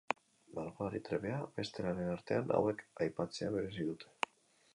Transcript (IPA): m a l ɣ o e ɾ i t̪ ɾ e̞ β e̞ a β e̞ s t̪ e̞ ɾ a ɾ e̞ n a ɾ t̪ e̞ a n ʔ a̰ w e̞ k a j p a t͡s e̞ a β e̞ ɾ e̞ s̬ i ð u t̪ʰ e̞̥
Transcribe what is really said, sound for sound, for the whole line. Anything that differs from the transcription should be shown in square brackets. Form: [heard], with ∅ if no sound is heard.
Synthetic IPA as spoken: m a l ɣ o [a] ɾ i t̪ ɾ e̞ β e̞ a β e̞ s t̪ e̞ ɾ a ɾ e̞ n a ɾ t̪ e̞ a n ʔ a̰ w e̞ k a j p a t͡s e̞ a β e̞ ɾ e̞ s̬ i ð u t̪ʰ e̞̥